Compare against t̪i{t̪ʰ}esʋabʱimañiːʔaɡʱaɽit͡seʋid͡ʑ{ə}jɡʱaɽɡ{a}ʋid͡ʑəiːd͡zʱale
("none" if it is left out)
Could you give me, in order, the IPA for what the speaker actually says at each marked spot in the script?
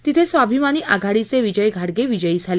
t̪ʰ, ə, e

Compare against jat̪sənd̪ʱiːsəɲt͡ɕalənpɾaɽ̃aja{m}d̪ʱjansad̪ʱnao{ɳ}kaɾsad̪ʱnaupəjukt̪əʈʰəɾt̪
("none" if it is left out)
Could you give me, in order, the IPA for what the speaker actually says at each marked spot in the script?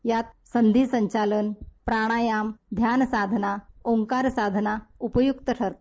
m, ŋ

